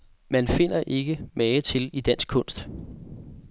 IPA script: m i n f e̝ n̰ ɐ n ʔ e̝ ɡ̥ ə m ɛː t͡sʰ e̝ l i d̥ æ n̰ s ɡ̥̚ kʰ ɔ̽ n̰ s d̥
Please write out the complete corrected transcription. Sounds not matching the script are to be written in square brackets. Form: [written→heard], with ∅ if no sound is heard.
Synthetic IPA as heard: m [i→æ] n f e̝ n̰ ɐ [n→∅] ʔ e̝ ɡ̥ ə m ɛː t͡sʰ e̝ l i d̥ æ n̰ s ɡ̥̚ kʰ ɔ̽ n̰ s d̥